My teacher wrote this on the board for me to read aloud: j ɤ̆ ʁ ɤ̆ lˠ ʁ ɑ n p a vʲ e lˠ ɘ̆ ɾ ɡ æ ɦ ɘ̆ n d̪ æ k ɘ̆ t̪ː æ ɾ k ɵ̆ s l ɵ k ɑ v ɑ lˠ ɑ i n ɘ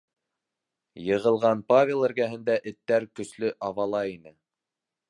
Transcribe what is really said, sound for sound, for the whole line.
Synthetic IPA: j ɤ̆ ʁ ɤ̆ lˠ ʁ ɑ n p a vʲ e lˠ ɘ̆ ɾ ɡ æ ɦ ɘ̆ n d̪ æ ʔ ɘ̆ t̪ː æ ɾ k ɵ̆ s l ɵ ʔ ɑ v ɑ lˠ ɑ i n ɘ